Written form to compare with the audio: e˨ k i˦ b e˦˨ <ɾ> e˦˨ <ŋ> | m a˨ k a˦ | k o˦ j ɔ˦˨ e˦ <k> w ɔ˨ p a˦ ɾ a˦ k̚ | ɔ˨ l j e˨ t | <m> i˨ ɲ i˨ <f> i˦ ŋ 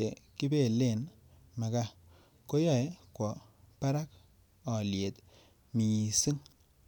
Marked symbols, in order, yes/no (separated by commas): no, no, yes, yes, no